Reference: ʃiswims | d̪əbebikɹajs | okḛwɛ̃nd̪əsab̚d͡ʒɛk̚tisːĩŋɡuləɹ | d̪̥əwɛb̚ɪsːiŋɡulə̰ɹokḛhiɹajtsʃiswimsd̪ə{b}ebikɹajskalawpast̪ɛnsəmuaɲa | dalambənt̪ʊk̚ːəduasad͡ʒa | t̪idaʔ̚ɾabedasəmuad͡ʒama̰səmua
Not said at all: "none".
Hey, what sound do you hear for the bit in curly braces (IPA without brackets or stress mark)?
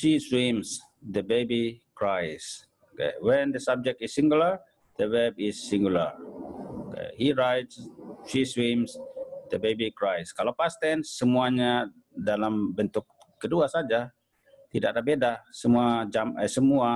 b